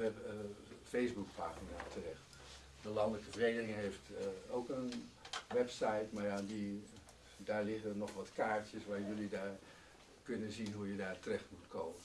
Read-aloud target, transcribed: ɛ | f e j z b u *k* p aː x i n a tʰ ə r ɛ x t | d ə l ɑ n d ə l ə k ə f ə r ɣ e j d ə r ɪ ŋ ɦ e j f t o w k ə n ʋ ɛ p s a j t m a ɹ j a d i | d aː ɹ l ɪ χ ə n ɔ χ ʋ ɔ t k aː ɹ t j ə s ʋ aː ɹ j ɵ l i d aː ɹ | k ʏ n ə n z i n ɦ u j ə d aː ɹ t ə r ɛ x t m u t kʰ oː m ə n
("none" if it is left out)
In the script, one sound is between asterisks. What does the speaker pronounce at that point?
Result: k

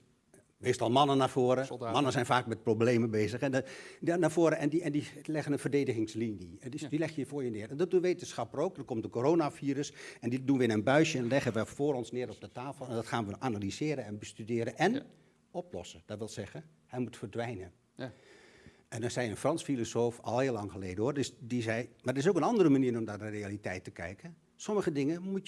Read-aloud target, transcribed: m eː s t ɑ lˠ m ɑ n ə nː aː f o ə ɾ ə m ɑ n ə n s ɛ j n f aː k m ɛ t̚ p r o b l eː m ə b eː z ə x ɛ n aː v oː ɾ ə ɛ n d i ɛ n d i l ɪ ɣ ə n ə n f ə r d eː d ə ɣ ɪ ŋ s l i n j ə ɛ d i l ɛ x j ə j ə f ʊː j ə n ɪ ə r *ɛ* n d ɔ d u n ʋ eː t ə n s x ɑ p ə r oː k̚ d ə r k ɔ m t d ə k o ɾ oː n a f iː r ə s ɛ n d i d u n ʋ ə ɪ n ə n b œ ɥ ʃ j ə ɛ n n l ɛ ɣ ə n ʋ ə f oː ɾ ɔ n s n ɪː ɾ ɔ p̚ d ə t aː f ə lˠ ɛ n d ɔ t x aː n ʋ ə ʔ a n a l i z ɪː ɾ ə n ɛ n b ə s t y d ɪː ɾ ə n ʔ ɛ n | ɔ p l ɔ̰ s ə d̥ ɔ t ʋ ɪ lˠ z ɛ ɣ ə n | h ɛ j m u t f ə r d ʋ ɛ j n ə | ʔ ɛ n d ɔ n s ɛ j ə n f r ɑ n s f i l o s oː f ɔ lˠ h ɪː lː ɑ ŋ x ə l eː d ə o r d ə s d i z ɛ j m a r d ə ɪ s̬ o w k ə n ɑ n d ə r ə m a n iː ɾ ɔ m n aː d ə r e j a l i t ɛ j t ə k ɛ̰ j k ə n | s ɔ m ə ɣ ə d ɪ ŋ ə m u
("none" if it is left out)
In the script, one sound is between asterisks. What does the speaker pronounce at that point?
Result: ɛ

